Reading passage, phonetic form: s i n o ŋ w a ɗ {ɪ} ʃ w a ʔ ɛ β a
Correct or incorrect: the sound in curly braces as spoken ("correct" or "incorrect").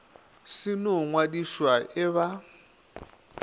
incorrect